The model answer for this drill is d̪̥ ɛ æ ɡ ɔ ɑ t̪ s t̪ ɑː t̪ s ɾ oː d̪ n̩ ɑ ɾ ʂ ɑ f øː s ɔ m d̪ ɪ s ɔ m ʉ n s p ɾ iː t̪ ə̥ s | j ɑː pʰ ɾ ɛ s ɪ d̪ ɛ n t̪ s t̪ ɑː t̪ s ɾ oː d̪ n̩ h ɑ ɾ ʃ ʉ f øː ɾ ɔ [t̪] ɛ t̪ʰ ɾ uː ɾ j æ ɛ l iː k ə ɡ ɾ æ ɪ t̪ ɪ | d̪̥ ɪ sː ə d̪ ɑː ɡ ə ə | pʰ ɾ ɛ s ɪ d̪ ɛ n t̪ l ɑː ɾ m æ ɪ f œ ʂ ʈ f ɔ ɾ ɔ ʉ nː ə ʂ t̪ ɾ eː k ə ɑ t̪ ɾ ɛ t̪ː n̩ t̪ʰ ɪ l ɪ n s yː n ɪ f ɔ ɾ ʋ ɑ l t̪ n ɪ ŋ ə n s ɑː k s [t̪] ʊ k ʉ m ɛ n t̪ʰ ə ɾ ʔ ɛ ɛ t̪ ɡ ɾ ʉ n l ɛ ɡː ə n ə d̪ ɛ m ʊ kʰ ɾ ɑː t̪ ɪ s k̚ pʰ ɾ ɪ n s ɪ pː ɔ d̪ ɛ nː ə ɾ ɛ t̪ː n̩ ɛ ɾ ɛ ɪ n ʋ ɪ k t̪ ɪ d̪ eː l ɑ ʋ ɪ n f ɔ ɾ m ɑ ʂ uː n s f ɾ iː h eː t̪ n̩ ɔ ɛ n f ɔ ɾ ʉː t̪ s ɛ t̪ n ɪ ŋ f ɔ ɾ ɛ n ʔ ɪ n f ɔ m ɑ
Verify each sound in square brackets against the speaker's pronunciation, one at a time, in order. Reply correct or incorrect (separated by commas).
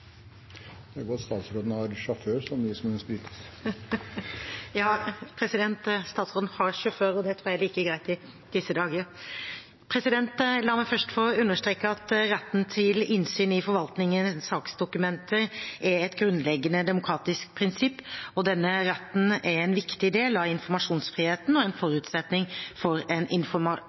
incorrect, incorrect